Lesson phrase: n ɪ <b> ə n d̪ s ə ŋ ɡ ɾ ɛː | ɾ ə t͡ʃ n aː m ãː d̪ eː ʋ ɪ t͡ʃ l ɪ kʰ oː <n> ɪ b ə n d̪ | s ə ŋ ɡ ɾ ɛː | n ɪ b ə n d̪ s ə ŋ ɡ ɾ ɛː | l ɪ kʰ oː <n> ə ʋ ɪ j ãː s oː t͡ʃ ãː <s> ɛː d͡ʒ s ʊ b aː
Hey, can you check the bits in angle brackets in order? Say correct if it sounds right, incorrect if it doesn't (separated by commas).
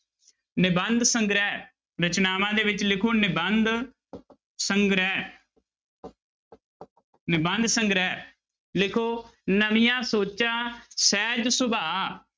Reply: correct, correct, correct, correct